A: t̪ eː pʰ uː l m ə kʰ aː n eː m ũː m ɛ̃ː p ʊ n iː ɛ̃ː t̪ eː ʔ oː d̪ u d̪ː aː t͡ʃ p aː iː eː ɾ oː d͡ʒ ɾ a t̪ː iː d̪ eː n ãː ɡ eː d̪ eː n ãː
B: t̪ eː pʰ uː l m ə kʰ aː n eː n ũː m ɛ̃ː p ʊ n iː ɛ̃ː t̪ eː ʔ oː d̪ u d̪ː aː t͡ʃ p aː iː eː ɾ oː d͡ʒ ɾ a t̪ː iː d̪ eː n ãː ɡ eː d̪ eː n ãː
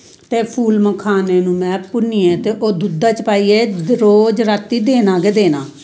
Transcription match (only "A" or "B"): B